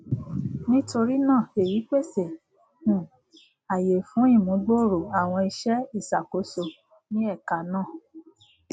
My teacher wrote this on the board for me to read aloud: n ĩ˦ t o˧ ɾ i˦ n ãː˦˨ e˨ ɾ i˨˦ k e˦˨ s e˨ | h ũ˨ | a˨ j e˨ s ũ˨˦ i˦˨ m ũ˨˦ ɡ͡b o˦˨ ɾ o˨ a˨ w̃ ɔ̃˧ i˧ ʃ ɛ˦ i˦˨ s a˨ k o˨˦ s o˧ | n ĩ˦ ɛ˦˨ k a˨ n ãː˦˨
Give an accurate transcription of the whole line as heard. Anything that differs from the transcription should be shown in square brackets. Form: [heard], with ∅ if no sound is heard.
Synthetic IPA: n ĩ˦ t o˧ ɾ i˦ n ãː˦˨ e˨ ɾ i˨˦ [k͡p] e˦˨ s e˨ | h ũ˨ | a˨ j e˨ [f] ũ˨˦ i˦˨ m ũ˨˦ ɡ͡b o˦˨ ɾ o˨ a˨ w̃ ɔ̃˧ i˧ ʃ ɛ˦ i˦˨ s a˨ k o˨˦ s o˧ | n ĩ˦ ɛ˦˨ k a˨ n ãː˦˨